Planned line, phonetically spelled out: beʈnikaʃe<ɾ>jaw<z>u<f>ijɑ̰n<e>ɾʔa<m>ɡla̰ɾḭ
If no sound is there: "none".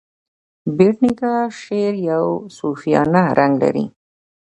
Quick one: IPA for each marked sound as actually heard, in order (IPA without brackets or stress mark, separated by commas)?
ɾ, s, f, a, ŋ